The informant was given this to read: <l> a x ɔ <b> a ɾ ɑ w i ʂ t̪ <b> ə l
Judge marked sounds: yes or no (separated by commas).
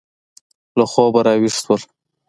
yes, yes, no